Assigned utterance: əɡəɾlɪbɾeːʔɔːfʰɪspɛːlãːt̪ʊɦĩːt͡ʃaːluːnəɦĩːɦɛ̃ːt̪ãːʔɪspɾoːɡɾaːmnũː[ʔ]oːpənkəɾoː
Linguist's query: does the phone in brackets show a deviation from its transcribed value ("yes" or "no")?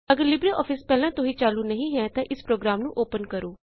no